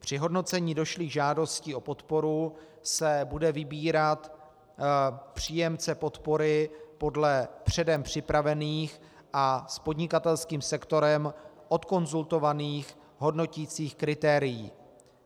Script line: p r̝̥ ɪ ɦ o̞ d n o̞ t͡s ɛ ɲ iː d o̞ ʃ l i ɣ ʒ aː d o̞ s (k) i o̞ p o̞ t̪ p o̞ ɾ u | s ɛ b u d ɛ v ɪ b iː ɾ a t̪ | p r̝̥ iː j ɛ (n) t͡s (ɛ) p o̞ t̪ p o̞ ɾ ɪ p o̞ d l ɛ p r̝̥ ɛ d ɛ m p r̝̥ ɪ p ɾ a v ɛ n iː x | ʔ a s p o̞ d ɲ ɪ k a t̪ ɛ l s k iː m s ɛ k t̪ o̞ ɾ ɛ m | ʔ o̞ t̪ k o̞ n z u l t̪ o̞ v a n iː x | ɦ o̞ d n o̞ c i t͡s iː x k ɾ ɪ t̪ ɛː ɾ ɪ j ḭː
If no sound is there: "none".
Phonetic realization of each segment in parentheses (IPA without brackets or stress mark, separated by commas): c, m, ɛ